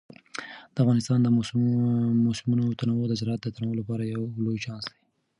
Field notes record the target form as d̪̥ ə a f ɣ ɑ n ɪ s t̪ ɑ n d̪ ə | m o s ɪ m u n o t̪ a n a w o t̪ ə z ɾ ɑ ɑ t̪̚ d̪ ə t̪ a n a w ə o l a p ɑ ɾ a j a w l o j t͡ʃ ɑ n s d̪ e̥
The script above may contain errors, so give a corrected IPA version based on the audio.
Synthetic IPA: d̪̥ ə a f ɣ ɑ n ɪ s t̪ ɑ n d̪ ə | m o s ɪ m u n o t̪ a n a w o d̪ ə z ɾ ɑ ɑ t̪̚ d̪ ə t̪ a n a w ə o l a p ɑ ɾ a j a w l o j t͡ʃ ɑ n s d̪ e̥